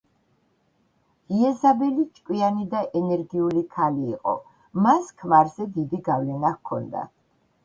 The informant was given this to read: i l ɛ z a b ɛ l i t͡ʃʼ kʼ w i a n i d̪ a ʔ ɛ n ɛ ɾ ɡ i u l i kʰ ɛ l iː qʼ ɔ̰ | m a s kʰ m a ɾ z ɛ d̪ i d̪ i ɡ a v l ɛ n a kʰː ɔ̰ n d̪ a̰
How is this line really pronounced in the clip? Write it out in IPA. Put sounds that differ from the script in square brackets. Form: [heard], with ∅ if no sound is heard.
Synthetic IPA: i [∅] ɛ z a b ɛ l i t͡ʃʼ kʼ w i a n i d̪ a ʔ ɛ n ɛ ɾ ɡ i u l i kʰ [a] l iː qʼ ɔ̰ | m a s kʰ m a ɾ z ɛ d̪ i d̪ i ɡ a v l ɛ n a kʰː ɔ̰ n d̪ a̰